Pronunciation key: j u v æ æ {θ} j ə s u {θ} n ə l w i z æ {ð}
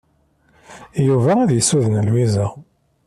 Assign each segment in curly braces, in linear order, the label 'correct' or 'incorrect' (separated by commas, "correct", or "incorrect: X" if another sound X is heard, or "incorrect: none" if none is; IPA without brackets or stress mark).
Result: incorrect: ð, incorrect: ð, incorrect: none